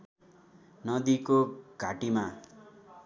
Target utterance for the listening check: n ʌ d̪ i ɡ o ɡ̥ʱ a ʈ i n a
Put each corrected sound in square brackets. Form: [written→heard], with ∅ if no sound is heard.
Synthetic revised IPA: n ʌ d̪ i [ɡ→k] o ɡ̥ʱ a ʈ i [n→m] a